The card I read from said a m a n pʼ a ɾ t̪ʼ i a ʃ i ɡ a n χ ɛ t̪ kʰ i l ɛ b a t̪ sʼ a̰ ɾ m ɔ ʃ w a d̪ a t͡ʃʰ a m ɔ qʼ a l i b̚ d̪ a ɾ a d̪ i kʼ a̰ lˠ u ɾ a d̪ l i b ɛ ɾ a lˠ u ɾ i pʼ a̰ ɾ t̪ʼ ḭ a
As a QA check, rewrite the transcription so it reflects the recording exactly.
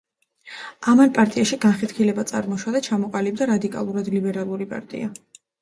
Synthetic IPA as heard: a m a n pʼ a ɾ t̪ʼ i a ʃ i ɡ a n χ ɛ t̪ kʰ i l ɛ b a t̪ sʼ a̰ ɾ m ɔ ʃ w a d̪ a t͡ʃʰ a m ɔ qʼ a l i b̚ d̪ a ɾ a d̪ i kʼ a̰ lˠ u ɾ a d̪ l i b ɛ ɾ a lˠ u ɾ i pʼ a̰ ɾ t̪ʼ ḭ a